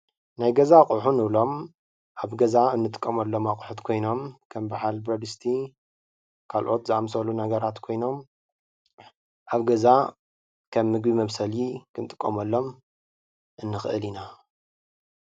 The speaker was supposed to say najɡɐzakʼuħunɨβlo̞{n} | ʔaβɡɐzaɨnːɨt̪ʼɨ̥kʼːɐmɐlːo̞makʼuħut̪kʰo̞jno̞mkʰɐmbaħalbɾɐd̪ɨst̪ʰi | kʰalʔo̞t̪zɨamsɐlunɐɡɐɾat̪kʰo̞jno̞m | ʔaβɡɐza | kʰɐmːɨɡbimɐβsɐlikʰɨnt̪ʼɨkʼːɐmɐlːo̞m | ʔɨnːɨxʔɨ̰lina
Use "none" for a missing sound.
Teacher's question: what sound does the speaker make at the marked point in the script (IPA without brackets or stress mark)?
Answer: m